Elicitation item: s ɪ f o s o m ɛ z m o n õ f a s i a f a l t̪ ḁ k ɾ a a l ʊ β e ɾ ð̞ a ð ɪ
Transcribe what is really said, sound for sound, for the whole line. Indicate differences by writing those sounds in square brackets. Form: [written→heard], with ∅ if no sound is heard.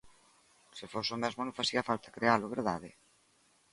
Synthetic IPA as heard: s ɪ f o s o m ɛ z m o n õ f a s i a f a l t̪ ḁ k ɾ [a→e] a l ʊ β e ɾ ð̞ a ð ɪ